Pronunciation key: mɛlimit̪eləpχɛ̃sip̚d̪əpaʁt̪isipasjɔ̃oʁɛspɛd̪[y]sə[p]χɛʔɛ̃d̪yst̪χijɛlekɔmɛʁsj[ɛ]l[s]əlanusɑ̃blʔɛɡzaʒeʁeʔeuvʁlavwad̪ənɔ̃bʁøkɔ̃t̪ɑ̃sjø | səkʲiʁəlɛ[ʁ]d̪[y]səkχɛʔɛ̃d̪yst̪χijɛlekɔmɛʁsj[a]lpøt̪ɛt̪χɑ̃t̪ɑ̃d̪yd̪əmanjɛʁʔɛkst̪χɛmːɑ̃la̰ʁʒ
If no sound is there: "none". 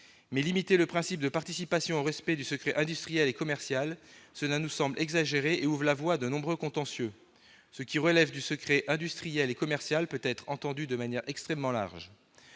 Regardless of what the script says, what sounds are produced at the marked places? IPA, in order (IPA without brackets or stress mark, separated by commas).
y, k, a, s, v, y, a